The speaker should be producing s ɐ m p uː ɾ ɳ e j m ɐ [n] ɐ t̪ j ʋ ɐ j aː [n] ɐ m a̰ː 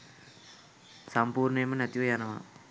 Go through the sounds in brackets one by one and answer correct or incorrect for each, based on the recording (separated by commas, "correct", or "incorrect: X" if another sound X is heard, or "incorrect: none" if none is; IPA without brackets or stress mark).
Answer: correct, correct